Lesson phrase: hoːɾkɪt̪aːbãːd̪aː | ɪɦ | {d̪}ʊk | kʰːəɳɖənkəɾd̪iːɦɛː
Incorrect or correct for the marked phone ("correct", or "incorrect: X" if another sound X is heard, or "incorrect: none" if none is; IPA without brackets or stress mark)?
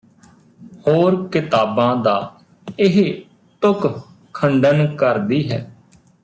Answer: incorrect: t̪